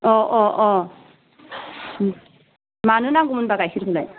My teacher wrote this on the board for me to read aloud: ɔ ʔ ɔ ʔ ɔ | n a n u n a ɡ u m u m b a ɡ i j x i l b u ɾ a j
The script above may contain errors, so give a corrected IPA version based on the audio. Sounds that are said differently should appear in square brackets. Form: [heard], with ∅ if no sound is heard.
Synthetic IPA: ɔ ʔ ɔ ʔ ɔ | [m] a n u n a ɡ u m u [n] b a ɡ [a] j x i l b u [l] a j